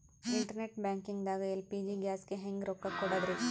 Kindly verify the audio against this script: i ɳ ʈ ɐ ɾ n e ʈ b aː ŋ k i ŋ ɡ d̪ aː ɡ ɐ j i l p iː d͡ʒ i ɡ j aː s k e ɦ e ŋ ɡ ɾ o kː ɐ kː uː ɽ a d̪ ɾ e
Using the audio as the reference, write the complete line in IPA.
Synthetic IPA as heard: i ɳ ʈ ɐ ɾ n e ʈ b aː ŋ k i ŋ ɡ d̪ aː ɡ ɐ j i l p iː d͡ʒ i ɡ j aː s k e ɦ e ŋ ɡ ɾ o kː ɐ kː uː ɽ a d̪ ɾ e